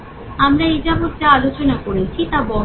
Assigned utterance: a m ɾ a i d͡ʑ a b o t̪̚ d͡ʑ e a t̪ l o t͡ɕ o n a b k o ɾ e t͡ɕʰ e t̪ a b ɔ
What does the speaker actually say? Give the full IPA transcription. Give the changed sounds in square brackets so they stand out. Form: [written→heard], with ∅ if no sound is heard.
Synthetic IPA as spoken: a m ɾ a i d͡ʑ a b o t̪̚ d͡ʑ [e→a] a [t̪→∅] l o t͡ɕ o n a [b→∅] k o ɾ e t͡ɕʰ [e→i] t̪ a b ɔ